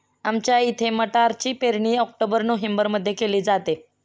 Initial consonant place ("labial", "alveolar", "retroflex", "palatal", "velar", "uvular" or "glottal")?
labial